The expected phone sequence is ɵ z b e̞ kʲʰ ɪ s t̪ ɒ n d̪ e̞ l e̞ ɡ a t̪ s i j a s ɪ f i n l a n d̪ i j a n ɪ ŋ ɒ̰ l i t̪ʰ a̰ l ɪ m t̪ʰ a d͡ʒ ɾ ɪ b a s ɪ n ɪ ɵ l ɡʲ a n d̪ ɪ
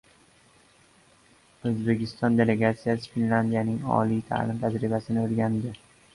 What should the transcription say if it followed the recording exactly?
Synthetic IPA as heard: ɵ z b e̞ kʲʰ ɪ s t̪ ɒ n d̪ e̞ l e̞ ɡ a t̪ s i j a s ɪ f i n l a n d̪ i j a n ɪ ŋ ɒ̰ l i t̪ʰ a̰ l ɪ m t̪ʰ a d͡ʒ ɾ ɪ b a s ɪ n ɪ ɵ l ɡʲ a n d̪ ɪ